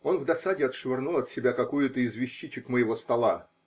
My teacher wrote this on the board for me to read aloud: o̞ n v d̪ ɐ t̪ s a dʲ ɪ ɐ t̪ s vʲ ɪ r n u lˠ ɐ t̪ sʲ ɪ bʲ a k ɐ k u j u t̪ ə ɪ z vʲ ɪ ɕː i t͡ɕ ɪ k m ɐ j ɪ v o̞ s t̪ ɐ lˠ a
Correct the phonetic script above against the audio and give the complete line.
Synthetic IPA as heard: o̞ n v d̪ ɐ s a dʲ ɪ ɐ t̪ ʂ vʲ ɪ r n u lˠ ɐ t̪ sʲ ɪ bʲ a k ɐ k u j ʊ t̪ ə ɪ z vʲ ɪ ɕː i t͡ɕ ɪ k m ə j ɪ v o̞ s t̪ ɐ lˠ a